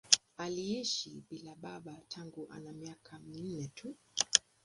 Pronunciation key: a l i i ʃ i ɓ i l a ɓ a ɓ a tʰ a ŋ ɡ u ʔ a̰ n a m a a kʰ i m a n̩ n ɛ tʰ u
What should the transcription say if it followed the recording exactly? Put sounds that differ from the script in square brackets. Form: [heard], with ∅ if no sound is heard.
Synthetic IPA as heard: a l i i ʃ i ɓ i l a ɓ a ɓ a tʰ a ŋ ɡ u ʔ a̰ n a m [i] a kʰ [a] m [i] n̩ n ɛ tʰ u

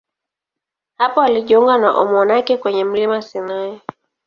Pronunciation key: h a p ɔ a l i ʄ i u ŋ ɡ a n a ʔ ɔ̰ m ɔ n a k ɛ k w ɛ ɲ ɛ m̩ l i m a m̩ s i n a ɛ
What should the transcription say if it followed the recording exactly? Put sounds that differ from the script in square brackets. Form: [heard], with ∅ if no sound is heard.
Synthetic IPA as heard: h a p ɔ a l i ʄ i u ŋ ɡ a n a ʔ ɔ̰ m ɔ n a k ɛ k w ɛ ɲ ɛ m̩ l i m a [∅] s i n a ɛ

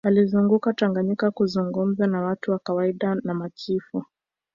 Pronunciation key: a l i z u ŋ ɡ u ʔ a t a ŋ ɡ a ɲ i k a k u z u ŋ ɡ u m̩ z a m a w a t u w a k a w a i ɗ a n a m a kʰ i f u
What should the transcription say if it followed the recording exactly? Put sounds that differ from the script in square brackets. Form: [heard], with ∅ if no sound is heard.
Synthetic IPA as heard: a l i z u ŋ ɡ u [k] a t a ŋ ɡ a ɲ i k a k u z u ŋ ɡ u m̩ z a [n] a w a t u w a k a w a i ɗ a n a m a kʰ i f u

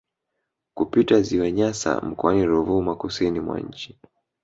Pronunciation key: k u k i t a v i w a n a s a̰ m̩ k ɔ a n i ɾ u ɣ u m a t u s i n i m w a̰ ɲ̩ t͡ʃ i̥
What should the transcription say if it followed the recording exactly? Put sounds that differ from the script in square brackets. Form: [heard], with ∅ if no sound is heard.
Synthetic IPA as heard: k u [p] i t a [z] i w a [ɲ] a s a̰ m̩ k ɔ a n i ɾ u [v] u m a [k] u s i n i m w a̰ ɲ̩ t͡ʃ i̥

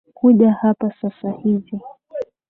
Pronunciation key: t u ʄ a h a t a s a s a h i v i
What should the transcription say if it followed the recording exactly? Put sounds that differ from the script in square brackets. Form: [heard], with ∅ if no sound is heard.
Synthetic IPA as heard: [k] u ʄ a h a [p] a s a s a h i v i

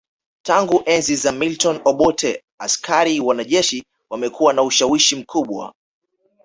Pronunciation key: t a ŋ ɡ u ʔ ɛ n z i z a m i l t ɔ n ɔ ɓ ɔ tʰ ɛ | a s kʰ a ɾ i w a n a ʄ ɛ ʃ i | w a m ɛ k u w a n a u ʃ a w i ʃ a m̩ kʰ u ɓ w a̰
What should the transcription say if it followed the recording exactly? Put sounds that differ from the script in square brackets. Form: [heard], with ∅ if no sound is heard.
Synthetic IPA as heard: t a ŋ ɡ u ʔ ɛ n z i z a m i l t ɔ n ɔ ɓ ɔ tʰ ɛ | a s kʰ a ɾ i w a n a ʄ ɛ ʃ i | w a m ɛ k u w a n a u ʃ a w i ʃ [i] m̩ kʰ u ɓ w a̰

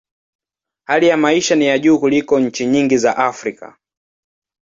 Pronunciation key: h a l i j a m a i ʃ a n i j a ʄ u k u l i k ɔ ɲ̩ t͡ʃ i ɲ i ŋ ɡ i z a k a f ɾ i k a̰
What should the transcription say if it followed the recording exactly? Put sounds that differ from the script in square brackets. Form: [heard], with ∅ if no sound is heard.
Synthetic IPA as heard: h a l i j a m a i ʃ a n i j a ʄ [uː] k u l i k ɔ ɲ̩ t͡ʃ i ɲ i ŋ ɡ i z a [ʔ] a f ɾ i k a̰

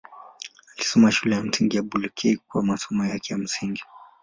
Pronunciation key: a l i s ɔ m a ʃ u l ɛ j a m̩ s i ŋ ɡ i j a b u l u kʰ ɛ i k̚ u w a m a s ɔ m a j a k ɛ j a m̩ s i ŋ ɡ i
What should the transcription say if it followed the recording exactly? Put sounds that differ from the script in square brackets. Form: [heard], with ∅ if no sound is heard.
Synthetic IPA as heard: a l i s ɔ m a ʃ u l ɛ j a m̩ s i ŋ ɡ i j a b u l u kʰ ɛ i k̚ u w a m a s ɔ m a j a k ɛ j a m̩ s i ŋ ɡ i

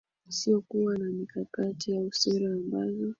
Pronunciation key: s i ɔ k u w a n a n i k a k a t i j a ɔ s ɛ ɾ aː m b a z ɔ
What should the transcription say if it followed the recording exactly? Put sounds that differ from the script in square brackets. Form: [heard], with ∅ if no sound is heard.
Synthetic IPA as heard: s i ɔ k u w a n a [m] i k a k a t i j a [u] s ɛ ɾ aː m b a z ɔ

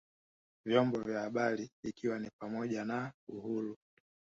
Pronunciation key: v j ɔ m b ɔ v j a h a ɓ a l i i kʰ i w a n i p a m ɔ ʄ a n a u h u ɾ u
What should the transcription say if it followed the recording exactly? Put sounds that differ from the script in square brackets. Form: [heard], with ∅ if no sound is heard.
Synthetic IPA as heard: v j ɔ m b ɔ v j a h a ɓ a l i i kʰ i w a n i p a m ɔ ʄ a n a u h u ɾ u

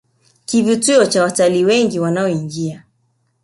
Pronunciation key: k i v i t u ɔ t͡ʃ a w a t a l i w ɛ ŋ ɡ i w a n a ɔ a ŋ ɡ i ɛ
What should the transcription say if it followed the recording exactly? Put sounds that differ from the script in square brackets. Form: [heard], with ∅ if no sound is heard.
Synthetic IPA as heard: k i v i t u ɔ t͡ʃ a w a t a l i w ɛ ŋ ɡ i w a n a ɔ [i] ŋ ɡ i [a]

